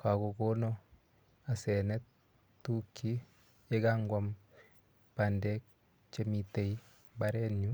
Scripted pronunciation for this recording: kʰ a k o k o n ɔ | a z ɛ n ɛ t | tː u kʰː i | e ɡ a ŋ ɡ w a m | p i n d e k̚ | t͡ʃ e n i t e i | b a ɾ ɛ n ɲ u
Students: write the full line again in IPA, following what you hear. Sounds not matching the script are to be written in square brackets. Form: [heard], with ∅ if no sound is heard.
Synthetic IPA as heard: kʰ a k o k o n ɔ | a [s] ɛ n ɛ t | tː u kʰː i | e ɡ a ŋ ɡ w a m | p [a] n d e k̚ | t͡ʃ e [m] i t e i | b a ɾ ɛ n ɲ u